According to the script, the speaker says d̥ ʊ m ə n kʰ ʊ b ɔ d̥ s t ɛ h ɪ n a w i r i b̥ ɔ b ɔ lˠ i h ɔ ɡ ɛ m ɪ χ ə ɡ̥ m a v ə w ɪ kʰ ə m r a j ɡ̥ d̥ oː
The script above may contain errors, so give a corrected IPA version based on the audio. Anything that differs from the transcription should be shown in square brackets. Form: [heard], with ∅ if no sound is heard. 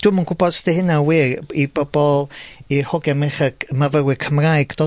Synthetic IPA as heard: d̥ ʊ m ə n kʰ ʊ b ɔ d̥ s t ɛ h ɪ n a w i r i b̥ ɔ b ɔ lˠ i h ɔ ɡ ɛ m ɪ χ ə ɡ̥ m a v ə w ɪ kʰ ə m r a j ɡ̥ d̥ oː